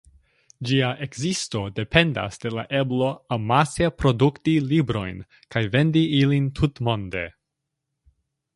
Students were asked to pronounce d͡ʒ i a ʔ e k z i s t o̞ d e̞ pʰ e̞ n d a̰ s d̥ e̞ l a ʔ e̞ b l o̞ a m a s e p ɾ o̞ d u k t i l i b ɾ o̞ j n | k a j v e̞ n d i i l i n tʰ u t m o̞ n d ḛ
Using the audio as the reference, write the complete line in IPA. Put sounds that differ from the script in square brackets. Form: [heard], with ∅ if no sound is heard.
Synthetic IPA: d͡ʒ i a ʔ e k z i s t o̞ d e̞ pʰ e̞ n d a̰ s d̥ e̞ l a ʔ e̞ b l o̞ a m a s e p ɾ o̞ d u k t i l i b ɾ o̞ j n | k a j v e̞ n d i i l i n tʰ u t m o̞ n d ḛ